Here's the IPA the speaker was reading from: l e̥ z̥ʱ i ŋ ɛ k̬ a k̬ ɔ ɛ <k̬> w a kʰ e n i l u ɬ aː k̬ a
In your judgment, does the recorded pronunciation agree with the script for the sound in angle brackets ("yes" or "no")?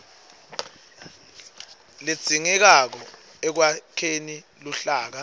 yes